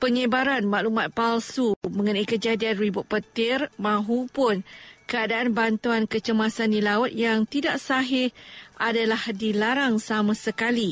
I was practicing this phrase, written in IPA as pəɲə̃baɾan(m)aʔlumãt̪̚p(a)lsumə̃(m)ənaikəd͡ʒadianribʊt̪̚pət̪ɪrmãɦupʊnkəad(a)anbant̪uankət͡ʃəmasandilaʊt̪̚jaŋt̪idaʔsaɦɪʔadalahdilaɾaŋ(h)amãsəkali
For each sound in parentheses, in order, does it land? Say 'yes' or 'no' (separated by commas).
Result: yes, yes, no, yes, no